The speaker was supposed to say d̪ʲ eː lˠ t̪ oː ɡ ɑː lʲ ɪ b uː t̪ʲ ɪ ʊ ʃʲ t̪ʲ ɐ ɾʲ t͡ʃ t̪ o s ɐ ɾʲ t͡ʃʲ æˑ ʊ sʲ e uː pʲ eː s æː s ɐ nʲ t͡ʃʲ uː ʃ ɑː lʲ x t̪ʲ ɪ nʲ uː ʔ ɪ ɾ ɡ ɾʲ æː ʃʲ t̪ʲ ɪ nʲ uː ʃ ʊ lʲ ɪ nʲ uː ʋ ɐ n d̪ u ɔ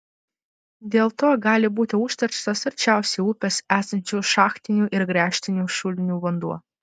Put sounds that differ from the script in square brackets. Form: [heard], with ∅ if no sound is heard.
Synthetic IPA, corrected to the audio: d̪ʲ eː lˠ t̪ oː ɡ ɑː lʲ ɪ b uː t̪ʲ ɪ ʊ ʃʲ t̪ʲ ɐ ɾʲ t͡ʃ t̪ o s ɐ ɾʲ t͡ʃʲ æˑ ʊ sʲ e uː pʲ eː s æː s ɐ nʲ t͡ʃʲ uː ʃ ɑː [∅] x t̪ʲ ɪ nʲ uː ʔ ɪ ɾ ɡ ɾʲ æː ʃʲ t̪ʲ ɪ nʲ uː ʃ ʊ lʲ ɪ nʲ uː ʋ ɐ n d̪ u ɔ